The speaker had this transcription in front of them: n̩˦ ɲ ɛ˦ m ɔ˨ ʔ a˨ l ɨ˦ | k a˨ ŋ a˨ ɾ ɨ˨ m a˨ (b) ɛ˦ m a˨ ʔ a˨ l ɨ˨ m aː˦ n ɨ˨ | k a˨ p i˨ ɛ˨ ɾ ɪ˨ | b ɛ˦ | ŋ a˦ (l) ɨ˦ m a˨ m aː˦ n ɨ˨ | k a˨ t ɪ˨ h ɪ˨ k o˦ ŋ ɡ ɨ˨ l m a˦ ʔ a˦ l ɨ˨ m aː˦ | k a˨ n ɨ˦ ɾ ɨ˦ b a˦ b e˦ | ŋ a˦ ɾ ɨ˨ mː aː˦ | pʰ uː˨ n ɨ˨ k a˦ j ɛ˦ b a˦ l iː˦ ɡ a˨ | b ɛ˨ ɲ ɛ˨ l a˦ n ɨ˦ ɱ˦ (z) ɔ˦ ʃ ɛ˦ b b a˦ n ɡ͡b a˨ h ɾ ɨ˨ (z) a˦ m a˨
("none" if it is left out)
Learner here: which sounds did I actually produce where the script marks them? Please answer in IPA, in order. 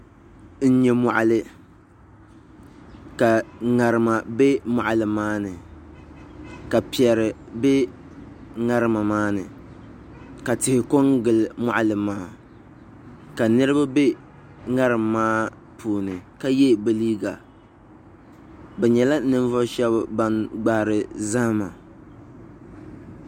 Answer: b, ɾ, v, z

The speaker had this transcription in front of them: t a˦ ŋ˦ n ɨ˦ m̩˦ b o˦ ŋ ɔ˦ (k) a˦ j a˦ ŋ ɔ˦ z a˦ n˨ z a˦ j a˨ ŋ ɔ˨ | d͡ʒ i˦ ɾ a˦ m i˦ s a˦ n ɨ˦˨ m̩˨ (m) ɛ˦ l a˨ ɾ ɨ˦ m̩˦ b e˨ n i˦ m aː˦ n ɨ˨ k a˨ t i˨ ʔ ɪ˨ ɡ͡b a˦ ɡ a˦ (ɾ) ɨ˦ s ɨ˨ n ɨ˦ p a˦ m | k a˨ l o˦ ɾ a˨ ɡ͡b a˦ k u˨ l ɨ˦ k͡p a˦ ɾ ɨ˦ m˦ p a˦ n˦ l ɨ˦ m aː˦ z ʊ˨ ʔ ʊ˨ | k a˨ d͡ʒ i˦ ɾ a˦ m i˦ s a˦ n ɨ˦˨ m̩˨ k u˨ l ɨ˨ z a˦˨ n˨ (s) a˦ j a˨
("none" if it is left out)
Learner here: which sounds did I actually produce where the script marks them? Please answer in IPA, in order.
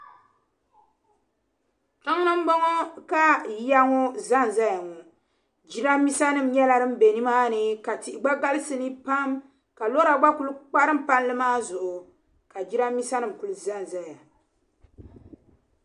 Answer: k, ɲ, l, z

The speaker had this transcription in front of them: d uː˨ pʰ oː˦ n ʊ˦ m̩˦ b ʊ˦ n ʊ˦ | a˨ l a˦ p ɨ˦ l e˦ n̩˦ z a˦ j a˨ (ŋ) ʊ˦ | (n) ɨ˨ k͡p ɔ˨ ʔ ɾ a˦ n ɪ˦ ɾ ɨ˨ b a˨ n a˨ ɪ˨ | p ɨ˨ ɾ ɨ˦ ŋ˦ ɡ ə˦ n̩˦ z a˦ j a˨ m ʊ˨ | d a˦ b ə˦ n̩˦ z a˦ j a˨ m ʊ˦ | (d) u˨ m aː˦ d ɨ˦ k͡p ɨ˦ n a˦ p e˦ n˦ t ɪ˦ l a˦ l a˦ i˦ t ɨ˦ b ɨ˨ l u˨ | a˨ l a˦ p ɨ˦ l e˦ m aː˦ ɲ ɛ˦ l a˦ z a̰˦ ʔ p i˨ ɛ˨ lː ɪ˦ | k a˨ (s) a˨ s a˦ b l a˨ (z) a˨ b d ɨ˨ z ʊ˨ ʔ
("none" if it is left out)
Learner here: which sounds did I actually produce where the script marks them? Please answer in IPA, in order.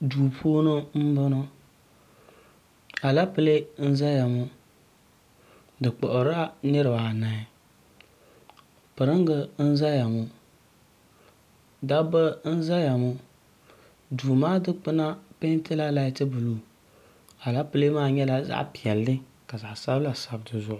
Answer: m, d, d, z, s

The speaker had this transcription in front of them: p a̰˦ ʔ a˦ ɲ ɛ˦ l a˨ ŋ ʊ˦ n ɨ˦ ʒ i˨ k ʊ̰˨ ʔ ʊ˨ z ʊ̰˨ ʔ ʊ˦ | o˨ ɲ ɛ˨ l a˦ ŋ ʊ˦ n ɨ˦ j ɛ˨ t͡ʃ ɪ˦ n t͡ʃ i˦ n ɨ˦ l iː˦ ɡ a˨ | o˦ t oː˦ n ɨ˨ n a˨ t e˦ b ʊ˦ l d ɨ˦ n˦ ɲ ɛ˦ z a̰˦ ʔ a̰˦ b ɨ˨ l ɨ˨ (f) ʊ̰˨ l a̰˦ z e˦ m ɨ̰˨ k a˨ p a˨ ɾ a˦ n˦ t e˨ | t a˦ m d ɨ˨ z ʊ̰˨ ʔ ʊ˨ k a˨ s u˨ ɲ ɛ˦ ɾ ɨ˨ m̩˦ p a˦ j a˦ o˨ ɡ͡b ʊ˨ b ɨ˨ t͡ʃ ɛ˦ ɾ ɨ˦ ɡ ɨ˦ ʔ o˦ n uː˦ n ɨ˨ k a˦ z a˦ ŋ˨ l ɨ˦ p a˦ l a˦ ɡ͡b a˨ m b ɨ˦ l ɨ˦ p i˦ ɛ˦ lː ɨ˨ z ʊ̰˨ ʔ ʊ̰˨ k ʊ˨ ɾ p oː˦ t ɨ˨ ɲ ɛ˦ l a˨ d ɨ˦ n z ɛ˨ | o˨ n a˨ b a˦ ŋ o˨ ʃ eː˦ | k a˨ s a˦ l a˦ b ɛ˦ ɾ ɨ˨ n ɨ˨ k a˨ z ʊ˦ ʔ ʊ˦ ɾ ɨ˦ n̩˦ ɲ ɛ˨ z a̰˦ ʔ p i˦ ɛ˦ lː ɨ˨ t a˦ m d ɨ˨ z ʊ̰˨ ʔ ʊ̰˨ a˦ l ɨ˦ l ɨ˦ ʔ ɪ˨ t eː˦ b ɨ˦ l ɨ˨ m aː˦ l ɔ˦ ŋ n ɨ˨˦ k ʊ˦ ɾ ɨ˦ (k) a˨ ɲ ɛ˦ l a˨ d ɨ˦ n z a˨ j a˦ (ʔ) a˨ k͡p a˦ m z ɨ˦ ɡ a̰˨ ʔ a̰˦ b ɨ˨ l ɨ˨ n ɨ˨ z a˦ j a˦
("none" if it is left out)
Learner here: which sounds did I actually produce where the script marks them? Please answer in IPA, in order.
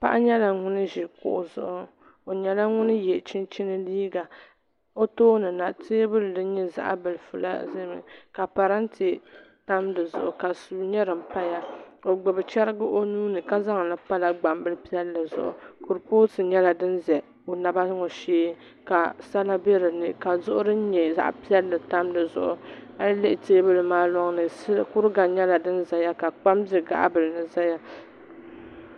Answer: f, ɡ, k

